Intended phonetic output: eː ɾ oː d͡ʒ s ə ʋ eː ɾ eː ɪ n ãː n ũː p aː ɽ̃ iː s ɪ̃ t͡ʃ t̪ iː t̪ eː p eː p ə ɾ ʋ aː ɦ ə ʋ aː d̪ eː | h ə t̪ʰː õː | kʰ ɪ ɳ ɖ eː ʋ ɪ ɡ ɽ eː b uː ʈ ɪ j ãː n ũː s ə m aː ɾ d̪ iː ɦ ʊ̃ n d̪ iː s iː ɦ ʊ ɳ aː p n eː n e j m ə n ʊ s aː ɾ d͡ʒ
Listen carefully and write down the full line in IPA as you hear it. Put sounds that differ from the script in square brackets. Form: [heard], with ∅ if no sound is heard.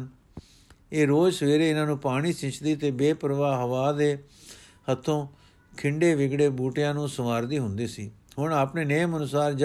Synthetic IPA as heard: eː ɾ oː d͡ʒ s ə ʋ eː ɾ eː ɪ n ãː n ũː p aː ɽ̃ iː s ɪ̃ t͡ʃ [d̪] iː t̪ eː [b] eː p ə ɾ ʋ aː ɦ ə ʋ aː d̪ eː | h ə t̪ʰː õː | kʰ ɪ ɳ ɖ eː ʋ ɪ ɡ ɽ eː b uː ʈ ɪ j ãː n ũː s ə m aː ɾ d̪ iː ɦ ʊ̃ n d̪ iː s iː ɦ ʊ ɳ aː p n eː n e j m ə n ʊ s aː ɾ d͡ʒ